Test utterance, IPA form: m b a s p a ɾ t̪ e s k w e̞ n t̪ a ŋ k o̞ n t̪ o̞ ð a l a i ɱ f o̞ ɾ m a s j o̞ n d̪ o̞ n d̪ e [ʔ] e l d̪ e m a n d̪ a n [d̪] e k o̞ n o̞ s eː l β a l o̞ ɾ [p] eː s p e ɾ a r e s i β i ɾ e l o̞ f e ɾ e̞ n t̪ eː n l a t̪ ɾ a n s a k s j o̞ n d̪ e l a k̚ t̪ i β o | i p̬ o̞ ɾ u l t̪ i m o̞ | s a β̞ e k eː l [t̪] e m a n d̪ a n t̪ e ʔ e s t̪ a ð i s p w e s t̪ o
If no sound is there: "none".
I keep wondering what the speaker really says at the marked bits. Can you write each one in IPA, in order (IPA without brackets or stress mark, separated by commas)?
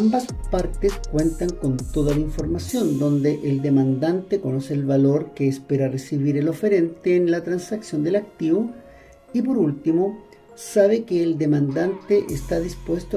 ʔ, t̪, k, d̪